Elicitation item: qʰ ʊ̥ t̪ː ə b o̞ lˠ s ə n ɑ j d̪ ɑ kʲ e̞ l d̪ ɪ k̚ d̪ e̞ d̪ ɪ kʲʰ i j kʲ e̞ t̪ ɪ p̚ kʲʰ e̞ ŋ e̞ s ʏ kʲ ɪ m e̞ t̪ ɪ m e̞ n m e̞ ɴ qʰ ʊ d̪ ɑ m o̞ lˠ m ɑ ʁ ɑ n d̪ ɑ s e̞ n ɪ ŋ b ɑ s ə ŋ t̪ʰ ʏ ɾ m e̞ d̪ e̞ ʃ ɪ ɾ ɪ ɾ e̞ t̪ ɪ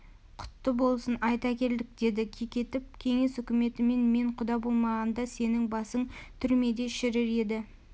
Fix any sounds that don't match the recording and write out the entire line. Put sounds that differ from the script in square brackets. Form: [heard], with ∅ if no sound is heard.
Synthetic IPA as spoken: qʰ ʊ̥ t̪ː ə b o̞ lˠ s ə n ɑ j [t̪] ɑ kʲ e̞ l d̪ ɪ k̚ d̪ e̞ d̪ ɪ kʲʰ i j kʲ e̞ t̪ ɪ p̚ kʲʰ e̞ ŋ e̞ s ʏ kʲ ɪ m e̞ t̪ ɪ m e̞ n m e̞ ɴ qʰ ʊ d̪ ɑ [b] o̞ lˠ m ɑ ʁ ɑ n d̪ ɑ s e̞ n ɪ ŋ b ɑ s ə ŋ t̪ʰ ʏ ɾ m e̞ d̪ e̞ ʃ ɪ ɾ ɪ ɾ e̞ [d̪] ɪ